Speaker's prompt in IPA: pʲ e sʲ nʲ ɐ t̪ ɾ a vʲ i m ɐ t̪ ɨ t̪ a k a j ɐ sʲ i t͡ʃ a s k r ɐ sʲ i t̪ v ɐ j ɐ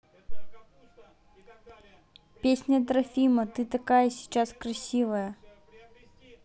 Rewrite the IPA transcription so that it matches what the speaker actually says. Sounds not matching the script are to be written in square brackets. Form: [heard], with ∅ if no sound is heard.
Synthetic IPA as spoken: pʲ e sʲ nʲ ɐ t̪ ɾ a [fʲ] i m ɐ t̪ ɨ t̪ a k a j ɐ sʲ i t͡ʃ a s k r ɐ sʲ i [∅] v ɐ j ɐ